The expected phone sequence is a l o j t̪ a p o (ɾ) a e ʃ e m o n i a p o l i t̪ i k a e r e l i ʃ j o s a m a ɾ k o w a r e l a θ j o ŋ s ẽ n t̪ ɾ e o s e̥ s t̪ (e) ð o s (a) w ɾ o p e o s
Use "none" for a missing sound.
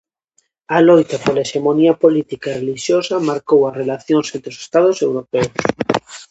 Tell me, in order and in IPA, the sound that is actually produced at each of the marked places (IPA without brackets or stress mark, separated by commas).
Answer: l, a, e